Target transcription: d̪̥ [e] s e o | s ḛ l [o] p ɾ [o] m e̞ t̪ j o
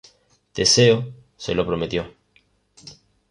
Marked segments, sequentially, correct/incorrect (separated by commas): correct, correct, correct